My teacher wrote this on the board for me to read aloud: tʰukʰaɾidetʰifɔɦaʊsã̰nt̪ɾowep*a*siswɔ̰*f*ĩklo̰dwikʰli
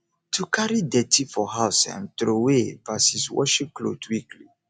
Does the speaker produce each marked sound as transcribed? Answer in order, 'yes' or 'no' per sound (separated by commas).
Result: yes, no